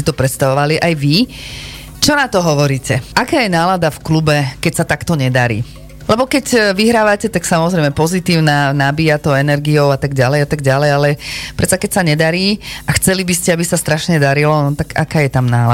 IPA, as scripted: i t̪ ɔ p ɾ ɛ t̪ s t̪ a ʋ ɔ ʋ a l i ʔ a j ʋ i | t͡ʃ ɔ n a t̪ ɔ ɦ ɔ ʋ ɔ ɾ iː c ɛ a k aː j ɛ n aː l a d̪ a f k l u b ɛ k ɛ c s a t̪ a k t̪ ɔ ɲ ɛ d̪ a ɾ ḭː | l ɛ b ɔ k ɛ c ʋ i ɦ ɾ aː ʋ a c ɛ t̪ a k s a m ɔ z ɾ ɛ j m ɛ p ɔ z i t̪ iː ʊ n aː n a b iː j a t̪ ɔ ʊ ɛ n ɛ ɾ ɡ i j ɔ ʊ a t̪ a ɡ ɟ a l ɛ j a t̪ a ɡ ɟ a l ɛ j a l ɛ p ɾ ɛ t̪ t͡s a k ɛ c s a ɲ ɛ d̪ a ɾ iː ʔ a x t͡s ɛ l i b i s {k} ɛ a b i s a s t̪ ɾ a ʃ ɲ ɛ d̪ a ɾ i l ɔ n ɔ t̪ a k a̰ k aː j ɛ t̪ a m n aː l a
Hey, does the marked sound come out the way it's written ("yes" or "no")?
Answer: no